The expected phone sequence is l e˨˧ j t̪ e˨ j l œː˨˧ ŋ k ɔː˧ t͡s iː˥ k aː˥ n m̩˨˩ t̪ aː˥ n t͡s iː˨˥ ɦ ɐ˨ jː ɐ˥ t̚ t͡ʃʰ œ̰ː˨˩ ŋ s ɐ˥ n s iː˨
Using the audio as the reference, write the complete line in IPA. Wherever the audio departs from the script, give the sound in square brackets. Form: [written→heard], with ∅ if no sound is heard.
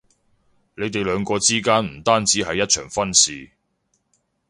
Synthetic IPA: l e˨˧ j t̪ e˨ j l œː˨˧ ŋ k ɔː˧ t͡s iː˥ k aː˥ n m̩˨˩ t̪ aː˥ n t͡s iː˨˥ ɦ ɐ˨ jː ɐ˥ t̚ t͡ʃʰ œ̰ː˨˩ ŋ [s→f] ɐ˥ n s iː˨